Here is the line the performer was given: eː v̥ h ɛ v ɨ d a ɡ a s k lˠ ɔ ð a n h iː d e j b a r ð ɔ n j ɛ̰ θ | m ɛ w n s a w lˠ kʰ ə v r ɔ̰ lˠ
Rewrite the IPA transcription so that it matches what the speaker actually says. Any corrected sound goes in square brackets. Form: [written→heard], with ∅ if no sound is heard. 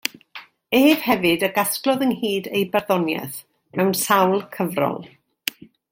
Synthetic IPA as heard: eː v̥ h ɛ v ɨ d [a→ə] ɡ a s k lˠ ɔ ð [a→ə] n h iː d e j b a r ð ɔ n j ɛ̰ θ | m ɛ w n s a w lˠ kʰ ə v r ɔ̰ lˠ